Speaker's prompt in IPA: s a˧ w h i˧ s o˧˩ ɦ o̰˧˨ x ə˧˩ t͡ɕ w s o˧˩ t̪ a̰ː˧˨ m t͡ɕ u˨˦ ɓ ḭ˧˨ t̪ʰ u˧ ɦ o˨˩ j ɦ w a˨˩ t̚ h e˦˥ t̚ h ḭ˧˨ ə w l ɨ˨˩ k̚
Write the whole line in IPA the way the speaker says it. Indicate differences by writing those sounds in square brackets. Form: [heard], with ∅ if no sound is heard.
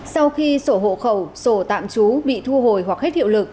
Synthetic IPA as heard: s a˧ w [x] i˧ s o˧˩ ɦ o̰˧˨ x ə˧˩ [∅] w s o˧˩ t̪ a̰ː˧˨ m t͡ɕ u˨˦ ɓ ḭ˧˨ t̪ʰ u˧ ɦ o˨˩ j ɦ w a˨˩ [k̚] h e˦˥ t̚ h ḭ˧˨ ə w l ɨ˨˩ k̚